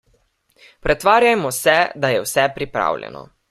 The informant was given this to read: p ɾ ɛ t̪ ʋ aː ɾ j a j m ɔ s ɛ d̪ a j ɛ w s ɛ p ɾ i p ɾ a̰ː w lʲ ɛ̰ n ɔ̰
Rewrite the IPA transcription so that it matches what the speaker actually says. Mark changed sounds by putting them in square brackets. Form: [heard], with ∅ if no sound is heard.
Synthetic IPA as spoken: p ɾ ɛ t̪ ʋ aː ɾ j a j m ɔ s ɛ d̪ a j ɛ w s ɛ p ɾ i p ɾ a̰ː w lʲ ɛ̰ n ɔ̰